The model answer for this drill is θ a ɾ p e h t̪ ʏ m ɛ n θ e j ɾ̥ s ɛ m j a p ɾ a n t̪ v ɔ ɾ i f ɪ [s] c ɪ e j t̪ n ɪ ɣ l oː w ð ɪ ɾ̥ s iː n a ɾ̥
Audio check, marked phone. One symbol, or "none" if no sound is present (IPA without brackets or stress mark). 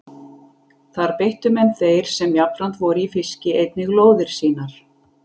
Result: s